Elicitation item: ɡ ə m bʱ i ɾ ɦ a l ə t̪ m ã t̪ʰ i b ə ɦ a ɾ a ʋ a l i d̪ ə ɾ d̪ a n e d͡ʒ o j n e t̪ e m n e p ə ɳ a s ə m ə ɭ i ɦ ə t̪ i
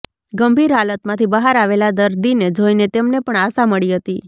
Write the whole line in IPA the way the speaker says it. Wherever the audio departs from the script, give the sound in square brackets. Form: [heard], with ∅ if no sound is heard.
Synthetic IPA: ɡ ə m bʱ i ɾ ɦ a l ə t̪ m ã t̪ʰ i b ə ɦ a ɾ a ʋ [e] l [a] d̪ ə ɾ d̪ [i] n e d͡ʒ o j n e t̪ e m n e p ə ɳ a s [a] m ə ɭ i ɦ ə t̪ i